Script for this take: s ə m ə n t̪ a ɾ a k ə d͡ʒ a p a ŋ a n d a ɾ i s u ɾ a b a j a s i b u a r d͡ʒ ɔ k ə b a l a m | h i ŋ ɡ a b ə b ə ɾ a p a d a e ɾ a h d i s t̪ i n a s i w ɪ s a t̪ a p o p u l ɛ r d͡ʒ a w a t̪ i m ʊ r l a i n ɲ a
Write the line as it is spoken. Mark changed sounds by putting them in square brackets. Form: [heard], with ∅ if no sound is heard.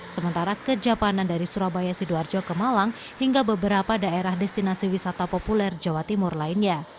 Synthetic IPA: s ə m ə n t̪ a ɾ a k ə d͡ʒ a p a [n] a n d a ɾ i s u ɾ a b a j a s i [d] u a r d͡ʒ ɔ k ə [m] a l a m | h i ŋ ɡ a b ə b ə ɾ a p a d a e ɾ a h d [ɛ] s t̪ i n a s i w [i] s a t̪ a p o p u l ɛ r d͡ʒ a w a t̪ i m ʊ r l a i n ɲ a